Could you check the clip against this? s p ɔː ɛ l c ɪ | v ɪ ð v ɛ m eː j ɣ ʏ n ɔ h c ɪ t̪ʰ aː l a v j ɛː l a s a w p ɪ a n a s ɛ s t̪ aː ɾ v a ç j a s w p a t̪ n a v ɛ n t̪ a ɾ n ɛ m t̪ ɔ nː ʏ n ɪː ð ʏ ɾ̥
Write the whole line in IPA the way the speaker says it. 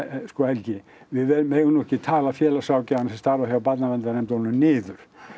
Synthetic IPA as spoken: s k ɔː ɛ l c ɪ | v ɪ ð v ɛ m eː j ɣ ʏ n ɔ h c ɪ t̪ʰ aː l a f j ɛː l a s a w c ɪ a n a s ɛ s t̪ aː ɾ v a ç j a w p a t̪ n a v ɛ n t̪ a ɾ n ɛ m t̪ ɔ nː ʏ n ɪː ð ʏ ɾ̥